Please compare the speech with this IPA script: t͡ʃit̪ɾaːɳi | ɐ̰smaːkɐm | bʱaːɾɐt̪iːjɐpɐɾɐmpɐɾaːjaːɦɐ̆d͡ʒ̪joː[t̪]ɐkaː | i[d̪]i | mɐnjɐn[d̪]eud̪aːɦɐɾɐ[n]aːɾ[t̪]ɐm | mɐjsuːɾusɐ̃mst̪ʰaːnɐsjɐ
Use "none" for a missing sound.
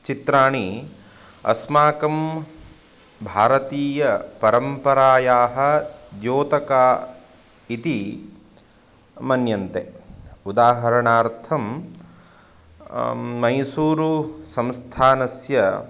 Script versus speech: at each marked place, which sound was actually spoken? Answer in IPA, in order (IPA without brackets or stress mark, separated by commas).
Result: t̪, t̪, t̪, ɳ, t̪ʰ